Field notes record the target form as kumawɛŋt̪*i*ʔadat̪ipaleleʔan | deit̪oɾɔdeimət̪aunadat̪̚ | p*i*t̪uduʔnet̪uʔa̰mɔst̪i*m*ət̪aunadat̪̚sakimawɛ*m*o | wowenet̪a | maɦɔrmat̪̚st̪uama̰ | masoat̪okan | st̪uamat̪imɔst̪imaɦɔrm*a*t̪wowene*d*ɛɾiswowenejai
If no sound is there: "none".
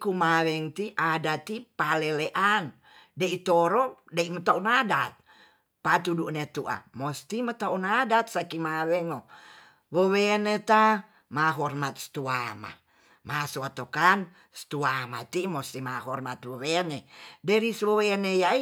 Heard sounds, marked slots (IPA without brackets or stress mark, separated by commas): i, a, m, ŋ, a, d